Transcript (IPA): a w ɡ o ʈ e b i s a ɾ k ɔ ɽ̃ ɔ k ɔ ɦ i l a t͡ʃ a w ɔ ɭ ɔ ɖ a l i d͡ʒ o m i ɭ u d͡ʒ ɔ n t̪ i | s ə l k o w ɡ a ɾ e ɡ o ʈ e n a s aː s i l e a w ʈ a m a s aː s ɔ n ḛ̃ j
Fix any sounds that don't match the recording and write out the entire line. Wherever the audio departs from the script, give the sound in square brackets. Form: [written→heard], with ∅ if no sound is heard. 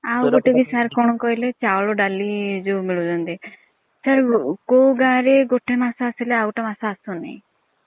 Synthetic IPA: a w ɡ o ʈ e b i s a ɾ k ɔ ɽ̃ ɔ k ɔ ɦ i l [a→e] t͡ʃ a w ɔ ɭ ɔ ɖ a l i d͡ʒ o m i ɭ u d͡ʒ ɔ n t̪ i | s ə [l→ɾ] k o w ɡ a ɾ e ɡ o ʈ e [n→m] a s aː s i l e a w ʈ a m a s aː s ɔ n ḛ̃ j